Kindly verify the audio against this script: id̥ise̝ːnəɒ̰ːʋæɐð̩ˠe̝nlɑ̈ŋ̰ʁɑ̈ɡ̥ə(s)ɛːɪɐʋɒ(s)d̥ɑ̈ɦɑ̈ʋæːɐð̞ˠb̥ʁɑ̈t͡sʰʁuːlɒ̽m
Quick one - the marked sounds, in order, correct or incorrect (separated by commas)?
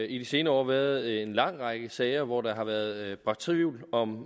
correct, incorrect